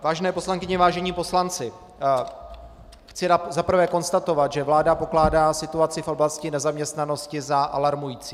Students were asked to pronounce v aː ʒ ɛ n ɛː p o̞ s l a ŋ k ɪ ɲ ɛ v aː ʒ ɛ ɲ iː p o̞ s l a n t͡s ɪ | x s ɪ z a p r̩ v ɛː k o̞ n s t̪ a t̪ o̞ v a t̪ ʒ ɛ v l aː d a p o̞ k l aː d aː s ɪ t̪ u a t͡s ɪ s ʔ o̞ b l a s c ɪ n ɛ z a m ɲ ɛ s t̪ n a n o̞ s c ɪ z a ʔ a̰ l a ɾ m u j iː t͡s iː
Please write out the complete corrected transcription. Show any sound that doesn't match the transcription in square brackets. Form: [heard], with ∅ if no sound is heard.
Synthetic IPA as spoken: v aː ʒ ɛ n ɛː p o̞ s l a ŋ k ɪ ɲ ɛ v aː ʒ ɛ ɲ iː p o̞ s l a n t͡s ɪ | x [t͡s] ɪ z a p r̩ v ɛː k o̞ n s t̪ a t̪ o̞ v a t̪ ʒ ɛ v l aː d a p o̞ k l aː d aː s ɪ t̪ u a t͡s ɪ [f] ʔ o̞ b l a s c ɪ n ɛ z a m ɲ ɛ s t̪ n a n o̞ s c ɪ z a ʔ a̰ l a ɾ m u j iː t͡s iː